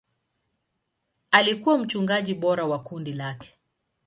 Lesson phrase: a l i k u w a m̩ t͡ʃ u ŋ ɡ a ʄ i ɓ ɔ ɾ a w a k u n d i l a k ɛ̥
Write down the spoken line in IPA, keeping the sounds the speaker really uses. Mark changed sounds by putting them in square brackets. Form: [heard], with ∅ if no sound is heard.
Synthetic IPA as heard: a l i k u w a m̩ t͡ʃ u ŋ ɡ a ʄ i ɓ ɔ ɾ a w a k u n d i l a k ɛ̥